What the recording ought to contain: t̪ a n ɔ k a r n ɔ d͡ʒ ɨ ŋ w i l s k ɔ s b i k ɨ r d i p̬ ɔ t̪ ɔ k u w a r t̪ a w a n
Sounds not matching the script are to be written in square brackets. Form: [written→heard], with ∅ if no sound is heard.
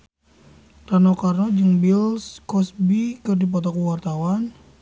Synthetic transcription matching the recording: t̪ a n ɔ k a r n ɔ d͡ʒ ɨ ŋ [w→b] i l s k ɔ s b i k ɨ r d i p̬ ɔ t̪ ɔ k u w a r t̪ a w a n

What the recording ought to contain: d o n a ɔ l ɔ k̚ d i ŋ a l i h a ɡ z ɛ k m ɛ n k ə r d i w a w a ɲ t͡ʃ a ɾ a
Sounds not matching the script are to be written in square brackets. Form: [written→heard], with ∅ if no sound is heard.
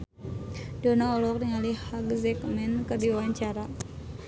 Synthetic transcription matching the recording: d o n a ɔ l ɔ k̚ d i ŋ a l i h a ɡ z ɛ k m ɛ n k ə r d i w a w a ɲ t͡ʃ a ɾ a

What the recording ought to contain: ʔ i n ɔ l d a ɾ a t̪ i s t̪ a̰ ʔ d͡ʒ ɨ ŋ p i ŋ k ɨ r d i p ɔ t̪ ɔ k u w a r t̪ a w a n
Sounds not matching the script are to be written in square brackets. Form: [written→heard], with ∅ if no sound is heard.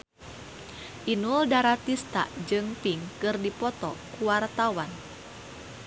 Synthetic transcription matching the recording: ʔ i n [ɔ→u] l d a ɾ a t̪ i s t̪ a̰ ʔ d͡ʒ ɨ ŋ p i ŋ k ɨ r d i p ɔ t̪ ɔ k u w a r t̪ a w a n

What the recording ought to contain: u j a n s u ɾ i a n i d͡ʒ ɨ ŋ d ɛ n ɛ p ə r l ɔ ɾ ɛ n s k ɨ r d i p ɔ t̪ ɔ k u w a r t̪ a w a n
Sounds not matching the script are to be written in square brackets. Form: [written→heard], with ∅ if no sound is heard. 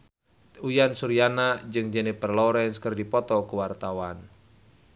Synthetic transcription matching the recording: u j a n s u ɾ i a n [i→a] d͡ʒ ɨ ŋ [d→d͡ʒ] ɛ n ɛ p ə r l ɔ ɾ ɛ n s k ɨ r d i p ɔ t̪ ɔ k u w a r t̪ a w a n

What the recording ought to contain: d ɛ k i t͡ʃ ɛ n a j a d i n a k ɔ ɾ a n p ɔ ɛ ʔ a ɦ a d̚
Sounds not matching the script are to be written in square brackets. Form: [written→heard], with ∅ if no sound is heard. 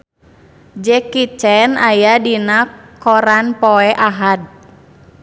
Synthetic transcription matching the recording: [d→d͡ʒ] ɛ k i t͡ʃ ɛ n a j a d i n a k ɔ ɾ a n p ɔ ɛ ʔ a ɦ a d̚

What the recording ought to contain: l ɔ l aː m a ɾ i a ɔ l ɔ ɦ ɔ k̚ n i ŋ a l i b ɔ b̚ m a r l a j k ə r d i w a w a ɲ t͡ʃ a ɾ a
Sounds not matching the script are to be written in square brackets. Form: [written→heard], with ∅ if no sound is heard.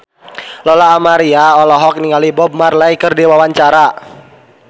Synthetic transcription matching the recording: l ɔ l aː m a ɾ i a ɔ l ɔ ɦ ɔ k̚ n i ŋ a l i b ɔ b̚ m a r l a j k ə r d i w a w a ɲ t͡ʃ a ɾ a

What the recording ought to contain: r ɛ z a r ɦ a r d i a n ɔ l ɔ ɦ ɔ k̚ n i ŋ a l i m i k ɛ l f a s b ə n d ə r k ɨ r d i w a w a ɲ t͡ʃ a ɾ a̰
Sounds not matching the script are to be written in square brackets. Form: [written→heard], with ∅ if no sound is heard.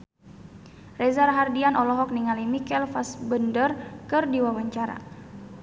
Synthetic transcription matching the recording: r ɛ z a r ɦ a r d i a n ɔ l ɔ ɦ ɔ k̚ n i ŋ a l i m i k ɛ l f a s b ə n d ə r k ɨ r d i w a w a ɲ t͡ʃ a ɾ a̰

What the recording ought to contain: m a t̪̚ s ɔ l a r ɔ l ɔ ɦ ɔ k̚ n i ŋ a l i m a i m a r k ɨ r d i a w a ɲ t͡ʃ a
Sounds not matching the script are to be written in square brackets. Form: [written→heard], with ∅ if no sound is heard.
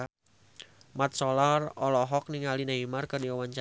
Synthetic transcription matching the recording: m a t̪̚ s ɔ l a r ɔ l ɔ ɦ ɔ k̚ n i ŋ a l i [m→n] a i m a r k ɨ r d i a w a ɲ t͡ʃ a

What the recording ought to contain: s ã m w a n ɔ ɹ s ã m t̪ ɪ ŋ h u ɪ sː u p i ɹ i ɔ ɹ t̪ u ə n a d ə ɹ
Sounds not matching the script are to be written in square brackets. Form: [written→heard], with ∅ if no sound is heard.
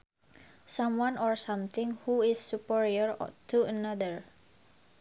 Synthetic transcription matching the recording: s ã m w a n ɔ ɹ s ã m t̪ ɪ ŋ h u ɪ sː u p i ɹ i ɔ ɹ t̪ u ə n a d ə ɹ

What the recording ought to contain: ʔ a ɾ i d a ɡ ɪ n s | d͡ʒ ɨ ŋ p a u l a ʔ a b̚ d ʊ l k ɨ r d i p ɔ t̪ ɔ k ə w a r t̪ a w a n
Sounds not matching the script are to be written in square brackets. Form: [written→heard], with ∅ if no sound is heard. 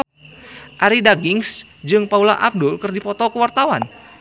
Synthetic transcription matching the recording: ʔ a ɾ i d a ɡ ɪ [n→ŋ] s | d͡ʒ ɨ ŋ p a u l a ʔ a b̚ d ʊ l k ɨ r d i p ɔ t̪ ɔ k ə w a r t̪ a w a n

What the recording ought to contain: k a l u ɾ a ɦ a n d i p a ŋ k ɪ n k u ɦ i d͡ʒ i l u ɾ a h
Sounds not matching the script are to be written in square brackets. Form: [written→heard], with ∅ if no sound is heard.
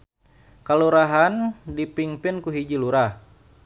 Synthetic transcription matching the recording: k a l u ɾ a ɦ a n d i p [a→i] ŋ [k→p] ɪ n k u ɦ i d͡ʒ i l u ɾ a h

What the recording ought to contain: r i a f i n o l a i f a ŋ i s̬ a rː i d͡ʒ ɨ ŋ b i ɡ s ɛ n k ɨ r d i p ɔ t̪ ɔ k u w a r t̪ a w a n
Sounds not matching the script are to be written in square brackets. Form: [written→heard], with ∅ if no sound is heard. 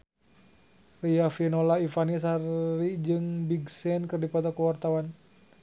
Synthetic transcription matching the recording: r i a f i n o l a i f a [ŋ→n] i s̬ a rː i d͡ʒ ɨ ŋ b i ɡ s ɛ n k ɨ r d i p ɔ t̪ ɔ k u w a r t̪ a w a n

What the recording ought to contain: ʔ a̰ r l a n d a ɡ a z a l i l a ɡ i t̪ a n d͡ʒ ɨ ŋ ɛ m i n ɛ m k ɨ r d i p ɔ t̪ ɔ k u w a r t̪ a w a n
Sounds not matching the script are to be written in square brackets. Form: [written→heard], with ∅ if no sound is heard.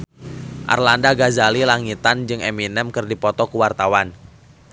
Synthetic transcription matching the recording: ʔ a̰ r l a n d a ɡ a z a l i l a [ɡ→ŋ] i t̪ a n d͡ʒ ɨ ŋ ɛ m i n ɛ m k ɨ r d i p ɔ t̪ ɔ k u w a r t̪ a w a n

